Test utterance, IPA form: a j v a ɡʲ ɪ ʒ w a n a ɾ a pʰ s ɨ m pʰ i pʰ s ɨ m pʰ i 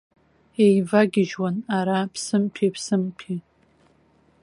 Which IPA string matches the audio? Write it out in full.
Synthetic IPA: e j v a ɡʲ ɪ ʒ w a n a ɾ a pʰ s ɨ m pʰ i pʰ s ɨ m pʰ i